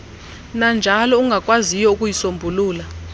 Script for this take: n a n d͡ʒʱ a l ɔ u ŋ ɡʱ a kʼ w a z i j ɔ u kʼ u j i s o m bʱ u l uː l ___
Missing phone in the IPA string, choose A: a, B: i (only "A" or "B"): A